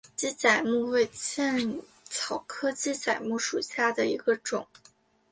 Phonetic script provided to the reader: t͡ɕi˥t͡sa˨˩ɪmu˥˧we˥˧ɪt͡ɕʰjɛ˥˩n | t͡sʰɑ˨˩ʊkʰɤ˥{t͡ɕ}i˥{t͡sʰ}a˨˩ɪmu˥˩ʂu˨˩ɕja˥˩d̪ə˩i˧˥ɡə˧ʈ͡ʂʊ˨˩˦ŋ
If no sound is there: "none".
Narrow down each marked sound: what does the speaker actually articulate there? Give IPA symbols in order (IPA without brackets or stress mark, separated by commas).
t͡ɕ, t͡s